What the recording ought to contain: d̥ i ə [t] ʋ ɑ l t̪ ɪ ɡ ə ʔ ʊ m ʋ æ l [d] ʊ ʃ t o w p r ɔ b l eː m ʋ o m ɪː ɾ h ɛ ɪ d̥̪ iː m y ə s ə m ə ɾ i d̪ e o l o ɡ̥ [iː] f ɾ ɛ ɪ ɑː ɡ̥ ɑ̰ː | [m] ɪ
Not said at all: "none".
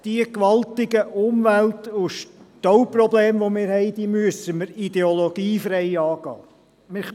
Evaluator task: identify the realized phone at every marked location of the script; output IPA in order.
k, t, iː, m

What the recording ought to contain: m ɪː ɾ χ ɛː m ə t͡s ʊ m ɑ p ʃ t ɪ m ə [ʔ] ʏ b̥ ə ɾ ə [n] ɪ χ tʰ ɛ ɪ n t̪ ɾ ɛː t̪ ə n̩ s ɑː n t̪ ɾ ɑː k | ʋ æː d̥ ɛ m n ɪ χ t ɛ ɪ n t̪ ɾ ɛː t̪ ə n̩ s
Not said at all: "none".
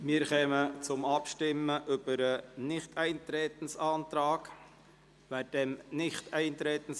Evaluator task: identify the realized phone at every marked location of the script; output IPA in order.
ʔ, n

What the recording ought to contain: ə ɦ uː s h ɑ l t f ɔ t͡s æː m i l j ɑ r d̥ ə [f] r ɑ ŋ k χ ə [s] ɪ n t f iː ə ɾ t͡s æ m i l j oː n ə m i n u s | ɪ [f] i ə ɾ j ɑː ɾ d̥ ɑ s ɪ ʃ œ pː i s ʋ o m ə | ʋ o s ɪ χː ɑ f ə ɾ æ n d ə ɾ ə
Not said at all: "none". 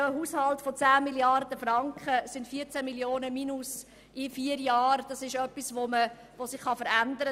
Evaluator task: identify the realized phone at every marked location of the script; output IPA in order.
f, s, f

